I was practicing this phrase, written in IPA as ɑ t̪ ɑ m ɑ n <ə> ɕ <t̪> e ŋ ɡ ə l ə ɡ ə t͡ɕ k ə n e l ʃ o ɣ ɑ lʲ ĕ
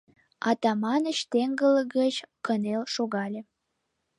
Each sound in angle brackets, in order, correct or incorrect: correct, correct

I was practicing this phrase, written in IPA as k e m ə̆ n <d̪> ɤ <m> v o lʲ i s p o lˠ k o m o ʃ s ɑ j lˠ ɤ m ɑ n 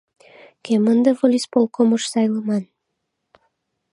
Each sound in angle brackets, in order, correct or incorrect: correct, incorrect

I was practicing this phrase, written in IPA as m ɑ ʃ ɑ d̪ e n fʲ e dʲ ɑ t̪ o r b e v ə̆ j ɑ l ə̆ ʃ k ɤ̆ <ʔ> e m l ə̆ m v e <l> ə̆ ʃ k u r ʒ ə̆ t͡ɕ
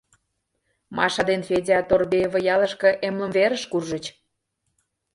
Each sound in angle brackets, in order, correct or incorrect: correct, incorrect

